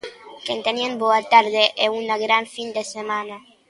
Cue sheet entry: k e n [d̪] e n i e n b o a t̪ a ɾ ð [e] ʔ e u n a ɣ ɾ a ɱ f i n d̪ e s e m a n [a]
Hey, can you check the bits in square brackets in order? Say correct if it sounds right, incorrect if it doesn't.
incorrect: t̪, correct, correct

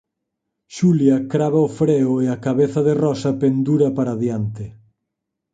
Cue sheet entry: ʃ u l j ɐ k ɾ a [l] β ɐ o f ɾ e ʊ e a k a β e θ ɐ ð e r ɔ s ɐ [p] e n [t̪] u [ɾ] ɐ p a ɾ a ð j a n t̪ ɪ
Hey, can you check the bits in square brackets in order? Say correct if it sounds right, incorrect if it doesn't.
incorrect: none, correct, incorrect: d̪, correct

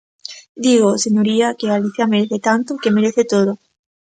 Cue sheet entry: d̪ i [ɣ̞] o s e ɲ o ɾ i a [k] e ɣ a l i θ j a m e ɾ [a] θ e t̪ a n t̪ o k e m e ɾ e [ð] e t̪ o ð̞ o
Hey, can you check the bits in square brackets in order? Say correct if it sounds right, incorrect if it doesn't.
correct, correct, incorrect: e, incorrect: θ

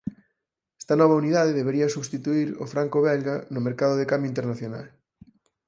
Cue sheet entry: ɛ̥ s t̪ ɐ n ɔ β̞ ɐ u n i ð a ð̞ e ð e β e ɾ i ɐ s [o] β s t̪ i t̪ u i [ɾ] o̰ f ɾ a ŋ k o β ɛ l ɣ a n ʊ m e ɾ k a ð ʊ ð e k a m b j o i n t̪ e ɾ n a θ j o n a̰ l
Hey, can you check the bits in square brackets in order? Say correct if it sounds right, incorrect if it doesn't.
incorrect: u, correct

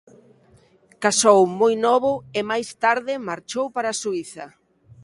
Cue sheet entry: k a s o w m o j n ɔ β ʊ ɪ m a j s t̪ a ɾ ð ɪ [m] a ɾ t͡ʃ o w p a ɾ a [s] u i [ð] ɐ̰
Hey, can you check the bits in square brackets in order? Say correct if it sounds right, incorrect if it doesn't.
correct, correct, incorrect: θ

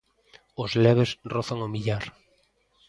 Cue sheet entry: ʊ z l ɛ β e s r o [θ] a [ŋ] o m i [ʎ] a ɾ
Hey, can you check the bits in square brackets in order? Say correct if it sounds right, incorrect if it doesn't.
correct, correct, correct

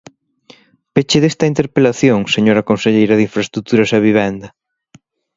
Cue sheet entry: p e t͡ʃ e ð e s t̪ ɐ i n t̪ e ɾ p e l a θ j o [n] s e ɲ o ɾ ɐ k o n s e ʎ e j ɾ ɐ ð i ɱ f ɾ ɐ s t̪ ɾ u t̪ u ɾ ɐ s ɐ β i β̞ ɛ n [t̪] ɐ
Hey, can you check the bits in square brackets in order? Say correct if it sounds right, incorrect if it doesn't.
incorrect: ŋ, incorrect: d̪

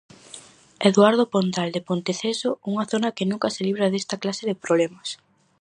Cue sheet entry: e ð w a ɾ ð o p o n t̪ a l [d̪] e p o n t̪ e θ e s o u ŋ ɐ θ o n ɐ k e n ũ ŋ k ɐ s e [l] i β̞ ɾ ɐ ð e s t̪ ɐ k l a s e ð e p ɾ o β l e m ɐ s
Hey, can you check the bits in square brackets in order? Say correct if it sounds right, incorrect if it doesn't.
correct, correct

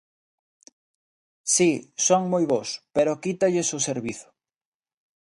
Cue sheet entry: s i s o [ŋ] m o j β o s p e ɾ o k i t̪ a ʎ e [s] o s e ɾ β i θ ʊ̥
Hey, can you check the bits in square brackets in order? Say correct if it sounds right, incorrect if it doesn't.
correct, correct

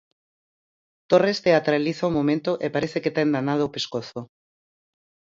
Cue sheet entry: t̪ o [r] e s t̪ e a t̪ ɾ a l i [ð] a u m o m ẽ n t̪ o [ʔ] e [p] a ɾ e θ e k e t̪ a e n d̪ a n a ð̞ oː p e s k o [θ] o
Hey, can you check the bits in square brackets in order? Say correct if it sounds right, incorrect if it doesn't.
correct, incorrect: θ, correct, correct, correct

